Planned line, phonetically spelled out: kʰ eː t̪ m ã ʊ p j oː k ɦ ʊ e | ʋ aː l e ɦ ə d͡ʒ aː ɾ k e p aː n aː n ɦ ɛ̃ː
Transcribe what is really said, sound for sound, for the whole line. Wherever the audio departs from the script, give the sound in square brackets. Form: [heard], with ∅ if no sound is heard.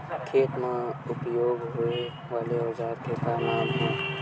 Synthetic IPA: kʰ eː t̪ m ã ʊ p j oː [ɡ] ɦ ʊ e | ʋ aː l e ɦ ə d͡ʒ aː ɾ k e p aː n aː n ɦ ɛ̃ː